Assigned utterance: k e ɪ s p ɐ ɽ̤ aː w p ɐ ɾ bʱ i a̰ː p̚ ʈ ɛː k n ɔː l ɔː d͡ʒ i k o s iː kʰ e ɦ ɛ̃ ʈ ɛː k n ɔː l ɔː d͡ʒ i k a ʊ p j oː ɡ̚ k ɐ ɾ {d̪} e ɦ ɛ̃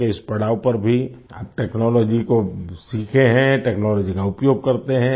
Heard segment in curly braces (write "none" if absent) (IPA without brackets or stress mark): t̪